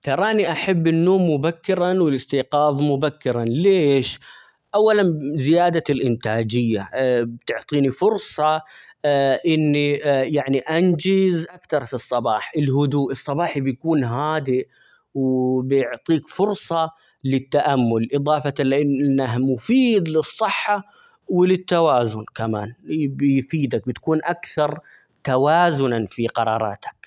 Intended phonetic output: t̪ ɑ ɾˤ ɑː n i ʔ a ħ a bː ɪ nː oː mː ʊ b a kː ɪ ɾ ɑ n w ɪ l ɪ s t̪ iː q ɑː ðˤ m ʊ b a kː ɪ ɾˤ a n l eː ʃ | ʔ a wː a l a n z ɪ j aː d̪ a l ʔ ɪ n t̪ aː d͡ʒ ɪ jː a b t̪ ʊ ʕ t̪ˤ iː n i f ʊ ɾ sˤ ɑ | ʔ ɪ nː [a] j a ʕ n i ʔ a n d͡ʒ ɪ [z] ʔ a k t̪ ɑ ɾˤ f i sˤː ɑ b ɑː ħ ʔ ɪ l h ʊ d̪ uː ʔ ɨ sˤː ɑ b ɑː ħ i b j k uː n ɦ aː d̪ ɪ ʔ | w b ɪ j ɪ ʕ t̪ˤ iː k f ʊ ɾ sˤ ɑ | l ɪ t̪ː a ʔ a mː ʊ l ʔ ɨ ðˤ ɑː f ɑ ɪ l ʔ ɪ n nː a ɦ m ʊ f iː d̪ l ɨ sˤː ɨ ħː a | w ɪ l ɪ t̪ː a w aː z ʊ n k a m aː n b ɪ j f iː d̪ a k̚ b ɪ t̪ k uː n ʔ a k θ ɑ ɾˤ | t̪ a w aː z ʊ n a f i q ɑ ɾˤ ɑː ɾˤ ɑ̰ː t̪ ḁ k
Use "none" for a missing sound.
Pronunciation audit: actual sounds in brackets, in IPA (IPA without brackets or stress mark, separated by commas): i, z